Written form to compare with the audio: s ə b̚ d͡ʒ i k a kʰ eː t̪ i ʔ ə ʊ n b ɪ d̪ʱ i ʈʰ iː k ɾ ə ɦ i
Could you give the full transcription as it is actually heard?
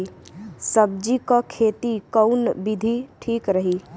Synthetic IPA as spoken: s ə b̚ d͡ʒ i k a kʰ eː t̪ i k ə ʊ n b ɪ d̪ʱ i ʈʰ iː k ɾ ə ɦ i